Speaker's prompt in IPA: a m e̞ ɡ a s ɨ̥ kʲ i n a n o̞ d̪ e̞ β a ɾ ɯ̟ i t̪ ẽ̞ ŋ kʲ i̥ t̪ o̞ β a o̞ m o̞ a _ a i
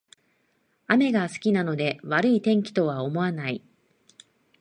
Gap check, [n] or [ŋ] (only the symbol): n